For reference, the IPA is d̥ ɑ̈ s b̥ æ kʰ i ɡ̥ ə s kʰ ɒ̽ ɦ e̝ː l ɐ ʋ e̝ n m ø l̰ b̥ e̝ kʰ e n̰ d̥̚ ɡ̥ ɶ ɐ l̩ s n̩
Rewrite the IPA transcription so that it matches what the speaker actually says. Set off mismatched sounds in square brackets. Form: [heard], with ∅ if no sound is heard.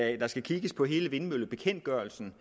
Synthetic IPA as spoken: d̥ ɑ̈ s [ɡ̥] æ kʰ i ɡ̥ ə s [pʰ] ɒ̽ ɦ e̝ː l [ə] ʋ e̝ n m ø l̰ b̥ e̝ kʰ e n̰ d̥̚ ɡ̥ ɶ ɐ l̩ s n̩